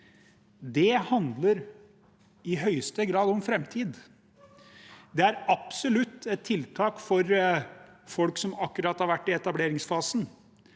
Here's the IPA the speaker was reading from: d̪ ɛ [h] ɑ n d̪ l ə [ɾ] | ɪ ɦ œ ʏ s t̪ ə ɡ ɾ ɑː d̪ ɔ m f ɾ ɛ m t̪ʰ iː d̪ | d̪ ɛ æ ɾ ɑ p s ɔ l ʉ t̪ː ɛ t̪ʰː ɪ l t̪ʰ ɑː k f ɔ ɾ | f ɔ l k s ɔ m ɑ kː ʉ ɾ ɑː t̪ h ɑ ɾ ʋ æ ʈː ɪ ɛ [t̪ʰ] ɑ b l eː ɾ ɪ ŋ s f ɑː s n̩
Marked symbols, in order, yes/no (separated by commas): yes, yes, no